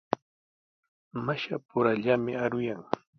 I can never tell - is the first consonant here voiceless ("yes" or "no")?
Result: no